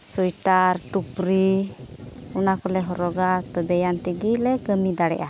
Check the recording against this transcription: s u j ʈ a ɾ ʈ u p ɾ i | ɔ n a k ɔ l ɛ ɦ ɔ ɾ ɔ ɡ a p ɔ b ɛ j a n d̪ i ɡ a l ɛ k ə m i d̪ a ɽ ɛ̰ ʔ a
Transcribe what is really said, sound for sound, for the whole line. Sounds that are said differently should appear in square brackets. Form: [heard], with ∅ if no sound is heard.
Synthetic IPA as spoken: s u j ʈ a ɾ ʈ u p ɾ i | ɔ n a k ɔ l ɛ ɦ ɔ ɾ ɔ ɡ a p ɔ b ɛ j a n [t̪] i ɡ [i] l ɛ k ə m i d̪ a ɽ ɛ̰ ʔ a

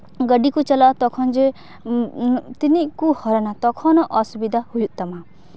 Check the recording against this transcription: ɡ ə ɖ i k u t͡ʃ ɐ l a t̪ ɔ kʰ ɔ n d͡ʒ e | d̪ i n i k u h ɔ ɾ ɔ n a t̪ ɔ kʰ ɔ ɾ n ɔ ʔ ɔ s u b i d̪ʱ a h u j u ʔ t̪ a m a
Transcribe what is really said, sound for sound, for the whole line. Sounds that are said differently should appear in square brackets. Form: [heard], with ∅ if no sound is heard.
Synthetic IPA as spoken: ɡ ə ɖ i k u t͡ʃ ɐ l a t̪ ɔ kʰ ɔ n d͡ʒ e | [t̪] i n i k u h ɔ ɾ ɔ n a t̪ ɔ kʰ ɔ [∅] n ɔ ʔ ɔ s u b i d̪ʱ a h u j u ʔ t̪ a m a

